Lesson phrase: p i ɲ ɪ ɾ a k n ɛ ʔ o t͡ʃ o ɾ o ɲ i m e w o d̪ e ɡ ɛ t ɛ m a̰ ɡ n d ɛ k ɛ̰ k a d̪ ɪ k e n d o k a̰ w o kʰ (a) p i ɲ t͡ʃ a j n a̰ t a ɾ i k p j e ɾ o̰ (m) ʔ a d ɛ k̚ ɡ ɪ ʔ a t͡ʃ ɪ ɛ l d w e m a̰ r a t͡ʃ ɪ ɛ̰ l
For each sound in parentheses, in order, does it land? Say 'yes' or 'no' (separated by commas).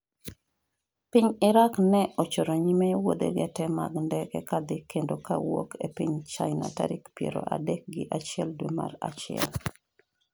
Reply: no, no